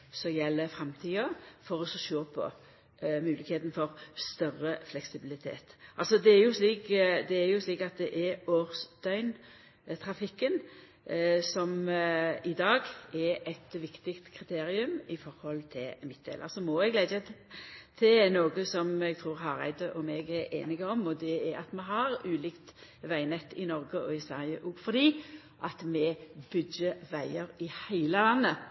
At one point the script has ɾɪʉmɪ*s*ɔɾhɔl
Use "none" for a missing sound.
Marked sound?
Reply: f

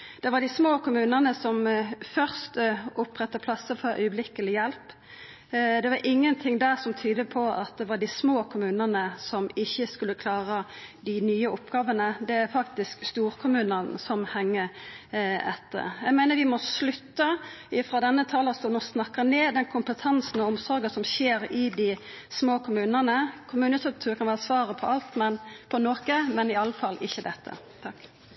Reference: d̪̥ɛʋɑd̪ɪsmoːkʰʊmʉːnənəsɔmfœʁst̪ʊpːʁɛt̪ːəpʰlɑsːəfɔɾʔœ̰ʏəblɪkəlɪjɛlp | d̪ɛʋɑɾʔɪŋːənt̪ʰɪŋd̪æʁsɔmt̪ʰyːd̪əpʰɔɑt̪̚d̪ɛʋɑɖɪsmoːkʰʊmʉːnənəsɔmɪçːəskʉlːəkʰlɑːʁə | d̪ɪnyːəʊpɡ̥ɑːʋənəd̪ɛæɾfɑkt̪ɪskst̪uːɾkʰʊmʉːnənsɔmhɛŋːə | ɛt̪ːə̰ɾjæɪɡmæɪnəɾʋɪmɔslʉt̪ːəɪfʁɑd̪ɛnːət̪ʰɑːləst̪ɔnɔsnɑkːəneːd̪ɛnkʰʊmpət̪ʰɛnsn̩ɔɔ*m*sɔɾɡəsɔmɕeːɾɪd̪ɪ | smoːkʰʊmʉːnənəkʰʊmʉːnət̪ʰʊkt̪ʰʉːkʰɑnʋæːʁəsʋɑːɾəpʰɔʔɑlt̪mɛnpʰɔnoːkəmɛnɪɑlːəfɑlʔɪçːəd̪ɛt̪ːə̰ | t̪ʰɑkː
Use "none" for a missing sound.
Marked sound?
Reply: m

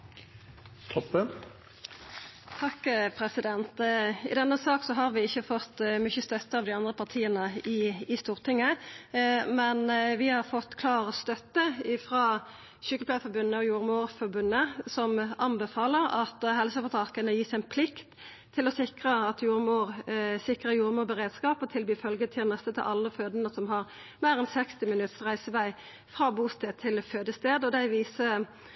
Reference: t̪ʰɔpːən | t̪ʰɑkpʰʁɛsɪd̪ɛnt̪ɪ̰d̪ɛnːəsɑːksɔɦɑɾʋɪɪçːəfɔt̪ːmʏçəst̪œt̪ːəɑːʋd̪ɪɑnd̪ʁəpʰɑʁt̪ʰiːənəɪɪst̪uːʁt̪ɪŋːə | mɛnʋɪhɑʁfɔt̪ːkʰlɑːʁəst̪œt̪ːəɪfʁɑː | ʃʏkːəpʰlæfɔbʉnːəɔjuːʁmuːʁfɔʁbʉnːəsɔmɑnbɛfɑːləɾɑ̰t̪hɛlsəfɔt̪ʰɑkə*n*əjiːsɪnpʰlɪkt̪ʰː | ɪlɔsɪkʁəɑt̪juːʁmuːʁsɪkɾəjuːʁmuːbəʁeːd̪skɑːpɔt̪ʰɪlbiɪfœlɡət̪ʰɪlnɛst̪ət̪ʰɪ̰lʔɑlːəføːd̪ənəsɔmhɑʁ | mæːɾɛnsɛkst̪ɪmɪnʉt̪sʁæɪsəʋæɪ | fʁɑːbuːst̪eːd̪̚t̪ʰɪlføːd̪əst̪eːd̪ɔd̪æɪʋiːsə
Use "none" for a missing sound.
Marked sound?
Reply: n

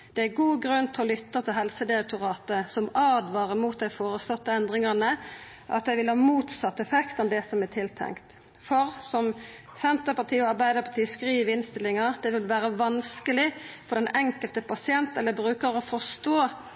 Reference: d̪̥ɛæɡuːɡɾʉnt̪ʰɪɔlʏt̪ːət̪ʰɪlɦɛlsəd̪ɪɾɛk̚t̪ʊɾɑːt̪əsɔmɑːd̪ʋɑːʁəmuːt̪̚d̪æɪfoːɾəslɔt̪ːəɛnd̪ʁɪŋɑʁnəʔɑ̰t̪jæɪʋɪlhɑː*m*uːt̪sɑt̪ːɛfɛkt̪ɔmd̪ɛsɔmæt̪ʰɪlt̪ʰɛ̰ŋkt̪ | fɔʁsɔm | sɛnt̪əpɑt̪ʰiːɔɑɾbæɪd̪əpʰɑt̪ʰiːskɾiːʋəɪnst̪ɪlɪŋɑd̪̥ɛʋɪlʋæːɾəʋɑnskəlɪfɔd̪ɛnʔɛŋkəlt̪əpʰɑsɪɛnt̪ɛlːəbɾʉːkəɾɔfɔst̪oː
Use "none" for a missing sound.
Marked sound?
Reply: m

